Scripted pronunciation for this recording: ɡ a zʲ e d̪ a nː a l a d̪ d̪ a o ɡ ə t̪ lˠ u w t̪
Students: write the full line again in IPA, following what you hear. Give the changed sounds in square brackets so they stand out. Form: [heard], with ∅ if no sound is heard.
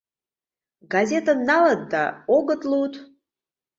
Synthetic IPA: ɡ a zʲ e [t̪] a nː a l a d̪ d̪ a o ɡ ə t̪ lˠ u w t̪